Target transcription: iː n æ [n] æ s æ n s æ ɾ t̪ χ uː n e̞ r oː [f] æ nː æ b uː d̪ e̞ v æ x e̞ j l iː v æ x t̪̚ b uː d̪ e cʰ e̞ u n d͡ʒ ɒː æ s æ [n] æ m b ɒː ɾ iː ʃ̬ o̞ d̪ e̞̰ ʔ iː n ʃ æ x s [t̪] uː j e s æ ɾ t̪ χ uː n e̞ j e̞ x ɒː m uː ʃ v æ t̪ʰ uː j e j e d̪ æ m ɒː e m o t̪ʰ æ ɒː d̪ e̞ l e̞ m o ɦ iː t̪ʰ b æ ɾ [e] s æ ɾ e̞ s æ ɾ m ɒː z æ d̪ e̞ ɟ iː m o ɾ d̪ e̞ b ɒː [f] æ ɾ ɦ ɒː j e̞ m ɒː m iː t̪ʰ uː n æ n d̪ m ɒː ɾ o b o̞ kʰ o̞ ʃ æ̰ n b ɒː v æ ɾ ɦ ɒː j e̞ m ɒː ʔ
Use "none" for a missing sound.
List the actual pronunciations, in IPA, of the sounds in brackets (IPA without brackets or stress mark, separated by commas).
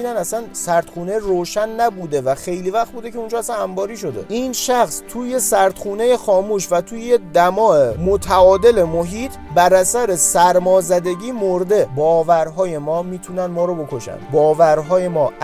n, ʃ, n, t̪ʰ, æ, v